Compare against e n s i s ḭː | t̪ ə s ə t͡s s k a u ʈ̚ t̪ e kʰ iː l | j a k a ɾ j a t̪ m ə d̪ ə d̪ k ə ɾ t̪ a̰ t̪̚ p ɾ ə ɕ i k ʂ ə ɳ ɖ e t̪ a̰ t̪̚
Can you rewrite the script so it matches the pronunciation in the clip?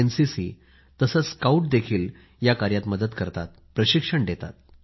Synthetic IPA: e n s i s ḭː | t̪ ə s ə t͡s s k a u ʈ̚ d̪ e kʰ iː l | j a k a ɾ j a t̪ m ə d̪ ə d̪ k ə ɾ t̪ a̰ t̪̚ p ɾ ə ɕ i k ʂ ə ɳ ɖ e t̪ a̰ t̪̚